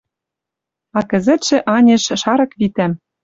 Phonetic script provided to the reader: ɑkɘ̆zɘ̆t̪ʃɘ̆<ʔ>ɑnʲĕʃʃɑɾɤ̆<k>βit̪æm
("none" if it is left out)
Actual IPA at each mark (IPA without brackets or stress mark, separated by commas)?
ʔ, k